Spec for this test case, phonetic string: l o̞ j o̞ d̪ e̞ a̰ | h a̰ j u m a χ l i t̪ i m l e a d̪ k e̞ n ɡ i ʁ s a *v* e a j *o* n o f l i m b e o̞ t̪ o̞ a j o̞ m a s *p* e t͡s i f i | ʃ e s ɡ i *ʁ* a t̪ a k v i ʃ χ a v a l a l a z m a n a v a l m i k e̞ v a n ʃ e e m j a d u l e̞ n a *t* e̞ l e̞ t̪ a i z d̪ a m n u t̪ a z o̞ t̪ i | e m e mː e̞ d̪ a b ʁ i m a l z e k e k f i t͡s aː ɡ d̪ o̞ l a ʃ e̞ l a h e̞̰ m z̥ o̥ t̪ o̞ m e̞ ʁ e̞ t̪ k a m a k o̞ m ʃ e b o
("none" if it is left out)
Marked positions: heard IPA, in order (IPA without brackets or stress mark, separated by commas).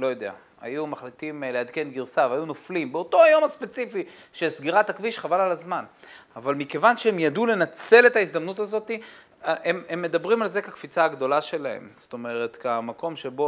v, u, p, ʁ, t͡s